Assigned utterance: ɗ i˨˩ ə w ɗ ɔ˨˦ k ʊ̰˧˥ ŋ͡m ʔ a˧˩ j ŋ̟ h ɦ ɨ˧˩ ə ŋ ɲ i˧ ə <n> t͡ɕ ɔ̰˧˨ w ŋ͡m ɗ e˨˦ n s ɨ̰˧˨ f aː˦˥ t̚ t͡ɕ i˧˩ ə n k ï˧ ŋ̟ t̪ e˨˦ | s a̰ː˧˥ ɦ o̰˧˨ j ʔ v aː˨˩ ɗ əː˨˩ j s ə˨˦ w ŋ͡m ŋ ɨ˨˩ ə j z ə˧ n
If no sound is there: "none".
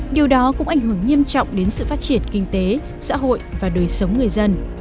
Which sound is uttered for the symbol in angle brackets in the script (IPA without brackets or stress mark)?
m